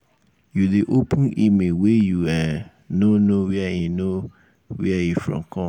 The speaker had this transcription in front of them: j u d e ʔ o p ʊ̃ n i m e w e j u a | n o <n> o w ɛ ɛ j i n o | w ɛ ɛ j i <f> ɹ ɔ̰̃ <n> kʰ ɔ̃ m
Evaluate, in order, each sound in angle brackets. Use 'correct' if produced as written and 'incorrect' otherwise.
correct, correct, incorrect

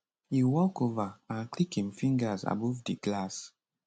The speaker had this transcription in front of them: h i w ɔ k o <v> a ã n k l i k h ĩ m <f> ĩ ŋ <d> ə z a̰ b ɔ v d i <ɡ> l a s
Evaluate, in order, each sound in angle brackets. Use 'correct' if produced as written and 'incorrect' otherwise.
correct, correct, incorrect, correct

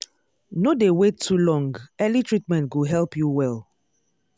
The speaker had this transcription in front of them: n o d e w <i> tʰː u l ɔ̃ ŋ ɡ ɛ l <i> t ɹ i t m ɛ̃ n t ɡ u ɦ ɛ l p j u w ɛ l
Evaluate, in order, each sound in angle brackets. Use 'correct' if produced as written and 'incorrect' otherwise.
incorrect, correct

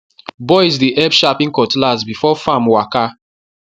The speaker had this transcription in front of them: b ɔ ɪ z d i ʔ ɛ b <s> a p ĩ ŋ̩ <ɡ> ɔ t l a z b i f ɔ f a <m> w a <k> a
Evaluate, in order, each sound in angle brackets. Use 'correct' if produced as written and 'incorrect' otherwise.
incorrect, incorrect, correct, correct

